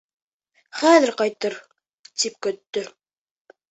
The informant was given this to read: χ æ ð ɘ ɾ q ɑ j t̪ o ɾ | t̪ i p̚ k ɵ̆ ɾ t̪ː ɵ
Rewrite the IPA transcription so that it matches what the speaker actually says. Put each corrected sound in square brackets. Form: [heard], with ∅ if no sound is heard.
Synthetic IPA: χ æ ð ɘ ɾ q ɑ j t̪ [ɤ] ɾ | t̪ i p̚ k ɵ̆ [∅] t̪ː ɵ

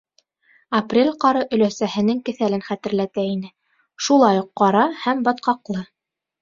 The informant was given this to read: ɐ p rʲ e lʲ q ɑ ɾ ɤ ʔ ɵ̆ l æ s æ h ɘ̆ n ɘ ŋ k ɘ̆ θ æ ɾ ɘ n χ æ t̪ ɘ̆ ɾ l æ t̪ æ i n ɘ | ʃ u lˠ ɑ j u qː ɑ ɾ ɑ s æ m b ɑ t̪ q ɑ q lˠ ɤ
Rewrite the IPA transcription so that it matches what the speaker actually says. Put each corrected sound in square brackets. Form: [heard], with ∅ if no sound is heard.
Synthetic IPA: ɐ p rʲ e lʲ q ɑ ɾ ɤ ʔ ɵ̆ l æ s æ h ɘ̆ n ɘ ŋ k ɘ̆ θ æ [l] ɘ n χ æ t̪ ɘ̆ ɾ l æ t̪ æ i n ɘ | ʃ u lˠ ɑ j u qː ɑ ɾ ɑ [h] æ m b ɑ t̪ q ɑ q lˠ ɤ

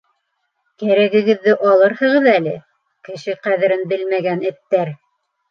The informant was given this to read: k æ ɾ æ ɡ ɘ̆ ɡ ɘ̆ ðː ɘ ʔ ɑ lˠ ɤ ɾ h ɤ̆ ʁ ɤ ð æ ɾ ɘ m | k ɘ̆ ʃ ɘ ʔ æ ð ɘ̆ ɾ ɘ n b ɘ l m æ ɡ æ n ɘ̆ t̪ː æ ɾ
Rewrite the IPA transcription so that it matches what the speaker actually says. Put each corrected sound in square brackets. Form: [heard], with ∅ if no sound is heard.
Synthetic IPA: k æ ɾ æ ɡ ɘ̆ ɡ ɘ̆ ðː ɘ ʔ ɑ lˠ ɤ ɾ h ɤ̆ ʁ ɤ ð æ [l] ɘ [∅] | k ɘ̆ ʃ ɘ [q] æ ð ɘ̆ ɾ ɘ n b ɘ l m æ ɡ æ n ɘ̆ t̪ː æ ɾ

